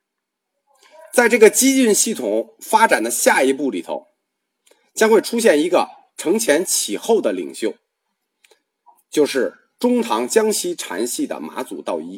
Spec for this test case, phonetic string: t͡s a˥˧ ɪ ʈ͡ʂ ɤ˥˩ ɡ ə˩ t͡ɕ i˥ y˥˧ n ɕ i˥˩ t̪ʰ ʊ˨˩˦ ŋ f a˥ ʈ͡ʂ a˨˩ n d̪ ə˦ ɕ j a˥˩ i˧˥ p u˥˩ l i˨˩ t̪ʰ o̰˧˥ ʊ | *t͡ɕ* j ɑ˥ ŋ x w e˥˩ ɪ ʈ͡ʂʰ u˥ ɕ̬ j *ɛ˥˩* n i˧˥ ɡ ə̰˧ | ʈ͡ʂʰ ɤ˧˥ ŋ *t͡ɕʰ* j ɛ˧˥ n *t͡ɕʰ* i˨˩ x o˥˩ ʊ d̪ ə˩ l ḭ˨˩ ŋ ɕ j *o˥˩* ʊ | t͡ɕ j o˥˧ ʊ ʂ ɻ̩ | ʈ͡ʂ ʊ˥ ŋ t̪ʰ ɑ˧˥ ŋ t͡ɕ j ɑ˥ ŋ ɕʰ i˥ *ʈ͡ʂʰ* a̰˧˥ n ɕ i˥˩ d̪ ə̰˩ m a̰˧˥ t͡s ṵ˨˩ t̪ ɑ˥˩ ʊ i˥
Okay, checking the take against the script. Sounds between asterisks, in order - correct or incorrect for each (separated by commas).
correct, correct, correct, correct, correct, correct